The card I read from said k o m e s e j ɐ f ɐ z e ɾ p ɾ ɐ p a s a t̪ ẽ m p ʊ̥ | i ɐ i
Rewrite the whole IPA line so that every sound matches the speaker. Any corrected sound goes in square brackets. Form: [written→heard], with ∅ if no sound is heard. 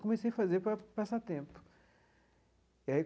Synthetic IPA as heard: k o m e s e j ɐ f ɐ z e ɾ p ɾ ɐ p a s a t̪ ẽ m p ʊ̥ | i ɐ i